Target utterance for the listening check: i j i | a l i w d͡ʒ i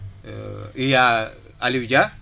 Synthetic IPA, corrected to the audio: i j a | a l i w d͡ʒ a